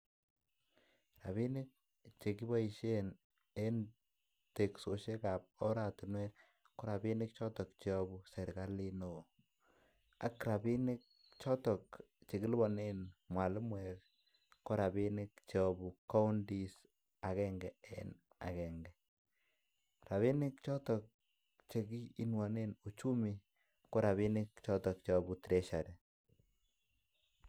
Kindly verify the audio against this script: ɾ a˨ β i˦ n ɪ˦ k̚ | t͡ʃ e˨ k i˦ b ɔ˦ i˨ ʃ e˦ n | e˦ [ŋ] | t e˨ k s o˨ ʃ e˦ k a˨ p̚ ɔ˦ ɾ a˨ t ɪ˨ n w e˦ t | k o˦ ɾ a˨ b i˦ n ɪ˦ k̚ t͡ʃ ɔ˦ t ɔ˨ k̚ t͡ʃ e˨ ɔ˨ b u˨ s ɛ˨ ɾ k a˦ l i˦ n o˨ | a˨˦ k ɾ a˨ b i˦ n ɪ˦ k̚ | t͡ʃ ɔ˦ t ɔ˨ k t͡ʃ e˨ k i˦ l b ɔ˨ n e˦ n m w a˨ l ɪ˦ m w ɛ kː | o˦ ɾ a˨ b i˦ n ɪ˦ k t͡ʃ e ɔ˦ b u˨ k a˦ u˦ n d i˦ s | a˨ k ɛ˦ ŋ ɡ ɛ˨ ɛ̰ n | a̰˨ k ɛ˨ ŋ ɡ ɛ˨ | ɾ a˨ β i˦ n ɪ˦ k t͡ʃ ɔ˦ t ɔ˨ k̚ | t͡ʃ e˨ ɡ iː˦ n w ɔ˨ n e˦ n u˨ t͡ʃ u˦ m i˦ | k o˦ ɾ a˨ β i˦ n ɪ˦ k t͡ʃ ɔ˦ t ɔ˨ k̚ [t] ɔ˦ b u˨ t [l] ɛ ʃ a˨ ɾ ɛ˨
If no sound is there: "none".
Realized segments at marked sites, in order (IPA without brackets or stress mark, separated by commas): n, t͡ʃ, ɾ